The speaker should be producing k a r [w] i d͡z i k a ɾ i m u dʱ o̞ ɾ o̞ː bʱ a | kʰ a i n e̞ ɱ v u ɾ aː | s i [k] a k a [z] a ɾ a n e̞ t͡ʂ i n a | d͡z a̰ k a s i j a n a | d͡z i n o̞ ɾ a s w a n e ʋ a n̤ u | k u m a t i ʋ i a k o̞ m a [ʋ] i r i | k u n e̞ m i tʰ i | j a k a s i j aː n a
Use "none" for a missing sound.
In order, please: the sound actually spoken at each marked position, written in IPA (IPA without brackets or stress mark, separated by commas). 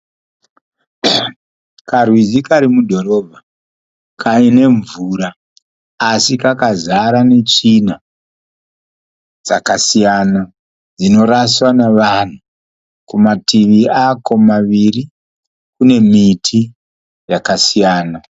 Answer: w, k, z, ʋ